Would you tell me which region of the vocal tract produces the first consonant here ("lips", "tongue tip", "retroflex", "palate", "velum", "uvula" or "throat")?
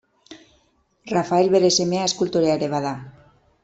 tongue tip